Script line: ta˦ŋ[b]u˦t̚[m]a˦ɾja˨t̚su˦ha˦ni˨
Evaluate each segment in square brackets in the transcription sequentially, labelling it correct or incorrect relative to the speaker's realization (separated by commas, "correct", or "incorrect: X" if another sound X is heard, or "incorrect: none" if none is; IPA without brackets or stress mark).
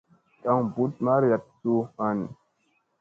correct, correct